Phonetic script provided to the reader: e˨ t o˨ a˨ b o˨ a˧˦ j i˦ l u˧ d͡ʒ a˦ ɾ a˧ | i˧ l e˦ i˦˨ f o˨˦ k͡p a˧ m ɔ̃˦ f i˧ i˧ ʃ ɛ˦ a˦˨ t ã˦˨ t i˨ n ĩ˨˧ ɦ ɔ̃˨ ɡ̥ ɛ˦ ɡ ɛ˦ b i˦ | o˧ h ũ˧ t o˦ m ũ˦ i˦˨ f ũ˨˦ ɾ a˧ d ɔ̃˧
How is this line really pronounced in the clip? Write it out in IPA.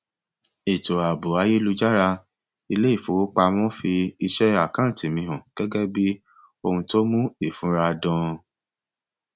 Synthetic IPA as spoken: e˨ t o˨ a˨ b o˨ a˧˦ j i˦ l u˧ d͡ʒ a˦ ɾ a˧ | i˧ l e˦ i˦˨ f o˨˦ k͡p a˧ m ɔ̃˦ f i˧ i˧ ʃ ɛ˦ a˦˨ k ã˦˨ t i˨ m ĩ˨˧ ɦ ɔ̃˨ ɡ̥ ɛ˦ ɡ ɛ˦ b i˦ | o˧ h ũ˧ t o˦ m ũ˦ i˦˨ f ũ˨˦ ɾ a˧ d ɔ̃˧